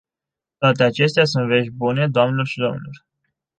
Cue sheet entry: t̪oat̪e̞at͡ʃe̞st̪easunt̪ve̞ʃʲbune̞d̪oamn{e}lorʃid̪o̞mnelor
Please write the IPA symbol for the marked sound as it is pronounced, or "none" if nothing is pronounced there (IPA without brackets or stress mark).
e